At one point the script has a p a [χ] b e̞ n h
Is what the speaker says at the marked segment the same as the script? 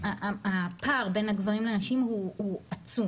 no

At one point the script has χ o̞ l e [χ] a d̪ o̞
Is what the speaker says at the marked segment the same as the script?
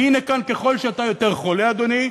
no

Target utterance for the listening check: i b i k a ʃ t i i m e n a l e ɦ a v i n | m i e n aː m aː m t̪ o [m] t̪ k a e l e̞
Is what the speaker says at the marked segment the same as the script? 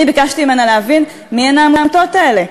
no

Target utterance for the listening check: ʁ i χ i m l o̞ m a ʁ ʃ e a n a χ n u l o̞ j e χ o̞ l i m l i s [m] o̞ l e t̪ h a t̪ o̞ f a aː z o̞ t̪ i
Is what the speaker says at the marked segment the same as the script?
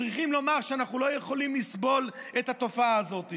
no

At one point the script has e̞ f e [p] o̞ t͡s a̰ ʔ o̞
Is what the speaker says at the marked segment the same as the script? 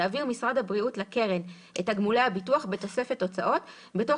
no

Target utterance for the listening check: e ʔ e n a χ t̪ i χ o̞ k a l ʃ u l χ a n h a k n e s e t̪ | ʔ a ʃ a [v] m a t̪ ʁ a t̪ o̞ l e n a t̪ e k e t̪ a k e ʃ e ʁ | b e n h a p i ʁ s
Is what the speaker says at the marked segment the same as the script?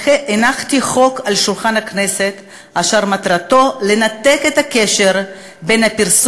no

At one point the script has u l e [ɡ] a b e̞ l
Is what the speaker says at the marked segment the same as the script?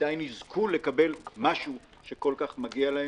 no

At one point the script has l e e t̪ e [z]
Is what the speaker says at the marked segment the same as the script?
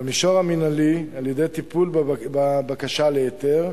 no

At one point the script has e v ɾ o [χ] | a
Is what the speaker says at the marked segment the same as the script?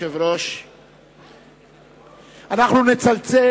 no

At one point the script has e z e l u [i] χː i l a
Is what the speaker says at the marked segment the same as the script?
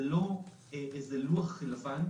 no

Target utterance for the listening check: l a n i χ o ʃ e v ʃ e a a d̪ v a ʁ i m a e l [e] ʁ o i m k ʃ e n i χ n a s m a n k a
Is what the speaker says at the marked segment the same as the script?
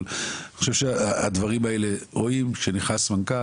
yes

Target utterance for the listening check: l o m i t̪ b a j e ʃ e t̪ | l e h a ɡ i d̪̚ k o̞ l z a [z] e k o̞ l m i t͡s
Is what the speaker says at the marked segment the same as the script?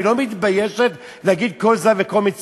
no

